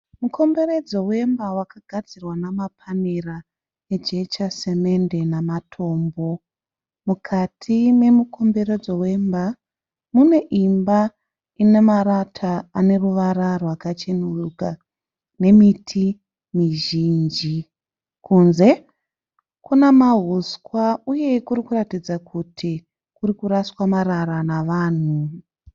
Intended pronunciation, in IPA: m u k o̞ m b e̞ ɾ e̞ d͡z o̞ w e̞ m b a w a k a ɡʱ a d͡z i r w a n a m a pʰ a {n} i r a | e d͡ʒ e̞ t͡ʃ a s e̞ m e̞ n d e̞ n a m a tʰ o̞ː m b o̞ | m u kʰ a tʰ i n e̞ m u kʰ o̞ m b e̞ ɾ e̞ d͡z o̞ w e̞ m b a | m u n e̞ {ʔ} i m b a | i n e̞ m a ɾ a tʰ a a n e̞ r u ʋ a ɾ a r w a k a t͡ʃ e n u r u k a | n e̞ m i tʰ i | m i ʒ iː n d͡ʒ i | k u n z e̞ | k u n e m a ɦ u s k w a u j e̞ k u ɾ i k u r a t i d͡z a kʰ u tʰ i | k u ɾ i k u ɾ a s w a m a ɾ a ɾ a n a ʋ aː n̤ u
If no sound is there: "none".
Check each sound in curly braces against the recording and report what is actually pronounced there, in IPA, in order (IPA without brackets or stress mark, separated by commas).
n, ʔ